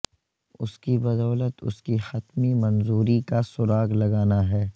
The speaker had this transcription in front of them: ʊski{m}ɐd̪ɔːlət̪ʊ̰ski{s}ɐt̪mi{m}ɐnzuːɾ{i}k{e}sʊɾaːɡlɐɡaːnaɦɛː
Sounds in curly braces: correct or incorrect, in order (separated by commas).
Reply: incorrect, incorrect, correct, correct, incorrect